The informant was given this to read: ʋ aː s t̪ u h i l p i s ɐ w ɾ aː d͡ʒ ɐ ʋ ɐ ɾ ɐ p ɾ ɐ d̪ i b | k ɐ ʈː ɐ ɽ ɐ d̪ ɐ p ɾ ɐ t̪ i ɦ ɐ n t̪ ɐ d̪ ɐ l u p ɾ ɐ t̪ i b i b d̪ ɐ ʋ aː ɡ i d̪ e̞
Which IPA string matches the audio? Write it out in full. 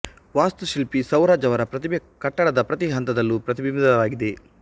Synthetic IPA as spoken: ʋ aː s t̪ u ʃ i l p i s ɐ w ɾ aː d͡ʒ ɐ ʋ ɐ ɾ ɐ p ɾ ɐ t̪ i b | k ɐ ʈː ɐ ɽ ɐ d̪ ɐ p ɾ ɐ t̪ i ɦ ɐ n t̪ ɐ d̪ ɐ lː u p ɾ ɐ t̪ i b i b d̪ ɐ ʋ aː ɡ i d̪ e̞